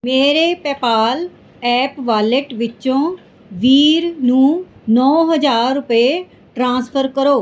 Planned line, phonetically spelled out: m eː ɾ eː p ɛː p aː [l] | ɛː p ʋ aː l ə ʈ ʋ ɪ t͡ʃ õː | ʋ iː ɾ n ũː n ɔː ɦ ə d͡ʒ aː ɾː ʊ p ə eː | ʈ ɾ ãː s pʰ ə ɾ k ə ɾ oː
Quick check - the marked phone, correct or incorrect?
correct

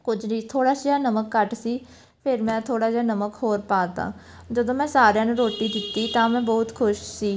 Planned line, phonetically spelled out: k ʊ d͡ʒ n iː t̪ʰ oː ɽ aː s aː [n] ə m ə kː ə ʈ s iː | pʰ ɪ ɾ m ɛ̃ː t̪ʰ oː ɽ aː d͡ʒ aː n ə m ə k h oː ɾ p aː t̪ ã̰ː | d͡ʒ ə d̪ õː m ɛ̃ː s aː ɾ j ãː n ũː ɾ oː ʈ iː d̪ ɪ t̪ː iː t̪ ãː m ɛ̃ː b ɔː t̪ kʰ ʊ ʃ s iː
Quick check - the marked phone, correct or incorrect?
correct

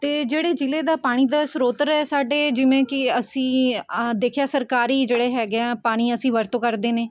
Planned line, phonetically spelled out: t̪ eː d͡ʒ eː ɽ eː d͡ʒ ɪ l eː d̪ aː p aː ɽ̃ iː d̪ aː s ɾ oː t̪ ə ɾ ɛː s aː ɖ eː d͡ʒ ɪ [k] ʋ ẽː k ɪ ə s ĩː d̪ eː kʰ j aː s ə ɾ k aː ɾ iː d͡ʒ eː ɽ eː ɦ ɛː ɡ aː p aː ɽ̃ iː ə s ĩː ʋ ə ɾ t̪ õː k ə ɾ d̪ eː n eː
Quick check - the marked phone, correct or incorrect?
incorrect: none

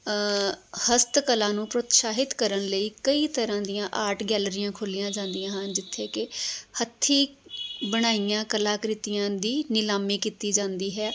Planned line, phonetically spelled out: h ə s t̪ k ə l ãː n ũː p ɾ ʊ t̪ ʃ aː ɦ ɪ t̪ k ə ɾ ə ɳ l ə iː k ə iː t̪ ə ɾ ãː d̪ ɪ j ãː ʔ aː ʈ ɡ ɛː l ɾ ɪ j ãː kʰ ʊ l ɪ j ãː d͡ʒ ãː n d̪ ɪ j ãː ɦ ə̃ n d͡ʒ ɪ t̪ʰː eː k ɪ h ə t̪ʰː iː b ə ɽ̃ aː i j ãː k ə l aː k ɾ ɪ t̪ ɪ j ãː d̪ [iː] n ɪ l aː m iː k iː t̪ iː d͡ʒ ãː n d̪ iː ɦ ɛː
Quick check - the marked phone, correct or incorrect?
correct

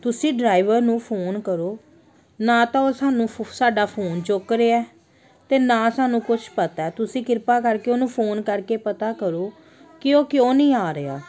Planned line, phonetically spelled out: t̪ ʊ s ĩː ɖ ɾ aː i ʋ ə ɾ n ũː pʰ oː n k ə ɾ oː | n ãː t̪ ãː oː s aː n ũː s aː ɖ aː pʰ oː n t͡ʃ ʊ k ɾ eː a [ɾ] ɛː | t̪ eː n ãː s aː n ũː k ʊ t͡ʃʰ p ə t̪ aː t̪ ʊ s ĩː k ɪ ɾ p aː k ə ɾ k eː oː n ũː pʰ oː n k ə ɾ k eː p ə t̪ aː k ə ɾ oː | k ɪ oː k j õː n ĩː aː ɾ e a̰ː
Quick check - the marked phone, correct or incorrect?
incorrect: none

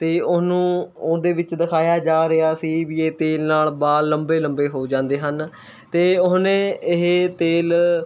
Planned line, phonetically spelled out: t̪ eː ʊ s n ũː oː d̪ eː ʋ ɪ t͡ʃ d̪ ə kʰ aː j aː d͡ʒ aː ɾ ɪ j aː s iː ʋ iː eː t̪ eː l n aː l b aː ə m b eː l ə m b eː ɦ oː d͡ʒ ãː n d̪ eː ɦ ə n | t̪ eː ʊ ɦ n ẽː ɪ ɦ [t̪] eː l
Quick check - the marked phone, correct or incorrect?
correct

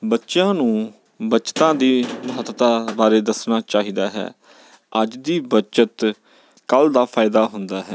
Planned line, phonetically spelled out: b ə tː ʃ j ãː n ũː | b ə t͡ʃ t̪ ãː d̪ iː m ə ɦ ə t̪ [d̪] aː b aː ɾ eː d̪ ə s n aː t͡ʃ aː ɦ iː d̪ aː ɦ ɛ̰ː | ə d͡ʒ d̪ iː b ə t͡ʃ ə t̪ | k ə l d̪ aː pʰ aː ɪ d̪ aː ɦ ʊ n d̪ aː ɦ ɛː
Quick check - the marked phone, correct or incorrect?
incorrect: t̪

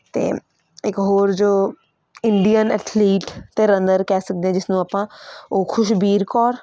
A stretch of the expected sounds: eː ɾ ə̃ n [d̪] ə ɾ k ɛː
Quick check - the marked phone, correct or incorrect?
correct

